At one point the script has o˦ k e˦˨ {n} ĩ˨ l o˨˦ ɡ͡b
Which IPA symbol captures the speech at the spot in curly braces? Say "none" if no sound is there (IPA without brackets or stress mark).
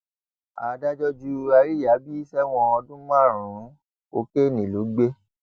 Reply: n